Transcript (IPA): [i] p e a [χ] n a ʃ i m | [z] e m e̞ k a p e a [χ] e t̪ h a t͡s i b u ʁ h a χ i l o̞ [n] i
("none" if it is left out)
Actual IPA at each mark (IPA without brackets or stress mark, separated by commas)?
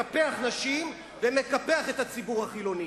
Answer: a, χ, v, χ, n